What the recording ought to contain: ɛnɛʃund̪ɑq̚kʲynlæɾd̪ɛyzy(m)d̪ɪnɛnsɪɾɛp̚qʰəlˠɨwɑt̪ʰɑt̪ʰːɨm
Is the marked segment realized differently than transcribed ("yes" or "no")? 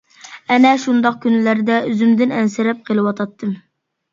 no